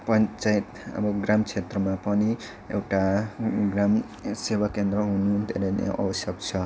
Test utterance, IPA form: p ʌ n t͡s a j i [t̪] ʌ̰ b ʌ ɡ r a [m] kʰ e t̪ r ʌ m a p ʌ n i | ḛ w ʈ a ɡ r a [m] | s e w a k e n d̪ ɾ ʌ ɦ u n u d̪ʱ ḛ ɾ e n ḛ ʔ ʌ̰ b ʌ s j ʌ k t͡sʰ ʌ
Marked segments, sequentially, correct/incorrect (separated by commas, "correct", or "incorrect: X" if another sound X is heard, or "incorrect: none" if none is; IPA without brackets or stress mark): correct, correct, correct